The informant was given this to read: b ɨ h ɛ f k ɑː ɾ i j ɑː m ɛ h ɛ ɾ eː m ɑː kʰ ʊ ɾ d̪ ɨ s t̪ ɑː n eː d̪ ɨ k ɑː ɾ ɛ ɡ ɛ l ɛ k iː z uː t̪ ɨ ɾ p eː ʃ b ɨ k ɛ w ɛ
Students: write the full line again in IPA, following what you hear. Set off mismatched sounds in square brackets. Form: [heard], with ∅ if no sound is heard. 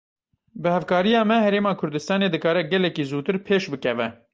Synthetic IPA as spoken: b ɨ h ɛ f k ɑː ɾ i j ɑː m ɛ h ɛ ɾ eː m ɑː kʰ ʊ ɾ d̪ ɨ s t̪ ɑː n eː d̪ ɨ k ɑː ɾ ɛ ɡ ɛ l ɛ k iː z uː t̪ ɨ ɾ [pʰ] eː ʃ b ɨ k ɛ [v] ɛ